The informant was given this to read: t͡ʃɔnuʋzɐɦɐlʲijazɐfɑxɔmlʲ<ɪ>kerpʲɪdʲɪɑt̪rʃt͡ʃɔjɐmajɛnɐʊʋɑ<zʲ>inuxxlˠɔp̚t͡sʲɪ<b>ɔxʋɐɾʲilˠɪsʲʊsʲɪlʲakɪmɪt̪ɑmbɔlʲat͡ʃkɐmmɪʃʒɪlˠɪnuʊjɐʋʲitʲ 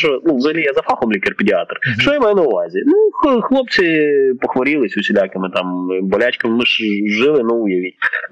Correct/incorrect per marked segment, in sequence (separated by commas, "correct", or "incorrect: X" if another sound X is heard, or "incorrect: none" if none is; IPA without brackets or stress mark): incorrect: i, correct, incorrect: p